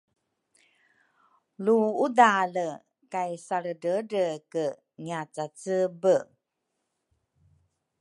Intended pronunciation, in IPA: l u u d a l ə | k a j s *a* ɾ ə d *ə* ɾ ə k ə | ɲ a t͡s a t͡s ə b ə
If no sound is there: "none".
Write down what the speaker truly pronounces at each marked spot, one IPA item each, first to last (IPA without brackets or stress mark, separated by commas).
a, ə